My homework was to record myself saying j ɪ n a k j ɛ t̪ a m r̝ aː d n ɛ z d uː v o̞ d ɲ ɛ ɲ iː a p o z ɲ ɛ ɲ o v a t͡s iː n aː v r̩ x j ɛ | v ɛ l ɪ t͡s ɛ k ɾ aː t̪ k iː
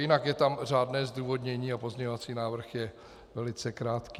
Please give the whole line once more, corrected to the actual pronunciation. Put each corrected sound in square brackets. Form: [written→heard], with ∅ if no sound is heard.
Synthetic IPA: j ɪ n a k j ɛ t̪ a m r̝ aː d n [ɛ→ɛː] z d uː v o̞ d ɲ ɛ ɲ iː a p o z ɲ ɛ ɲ o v a t͡s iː n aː v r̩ x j ɛ | v ɛ l ɪ t͡s ɛ k ɾ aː t̪ k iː